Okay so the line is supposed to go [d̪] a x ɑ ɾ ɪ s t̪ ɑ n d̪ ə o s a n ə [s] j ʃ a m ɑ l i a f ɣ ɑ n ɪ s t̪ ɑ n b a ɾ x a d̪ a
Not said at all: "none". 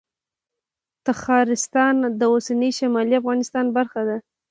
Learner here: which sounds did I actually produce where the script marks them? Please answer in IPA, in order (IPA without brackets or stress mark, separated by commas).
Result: t̪, none